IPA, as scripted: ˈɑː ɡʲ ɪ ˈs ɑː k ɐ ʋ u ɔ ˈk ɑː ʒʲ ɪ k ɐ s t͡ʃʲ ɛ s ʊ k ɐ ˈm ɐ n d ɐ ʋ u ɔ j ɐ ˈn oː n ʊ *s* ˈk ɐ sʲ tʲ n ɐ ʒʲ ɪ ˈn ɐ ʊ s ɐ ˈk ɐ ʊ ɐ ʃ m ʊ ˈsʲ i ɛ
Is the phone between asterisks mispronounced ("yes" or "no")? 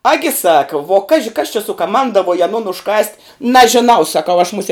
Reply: yes